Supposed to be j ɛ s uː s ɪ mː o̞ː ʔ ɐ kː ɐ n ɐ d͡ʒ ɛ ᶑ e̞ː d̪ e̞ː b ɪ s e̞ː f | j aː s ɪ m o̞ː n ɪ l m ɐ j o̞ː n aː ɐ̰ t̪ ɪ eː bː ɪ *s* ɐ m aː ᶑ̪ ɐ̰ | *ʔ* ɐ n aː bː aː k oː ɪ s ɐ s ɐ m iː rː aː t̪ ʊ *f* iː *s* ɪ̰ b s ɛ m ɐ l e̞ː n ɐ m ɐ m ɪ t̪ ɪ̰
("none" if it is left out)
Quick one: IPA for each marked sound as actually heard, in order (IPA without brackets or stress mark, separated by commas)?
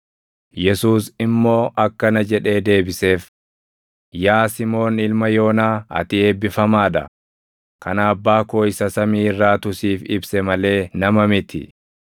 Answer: f, k, s, f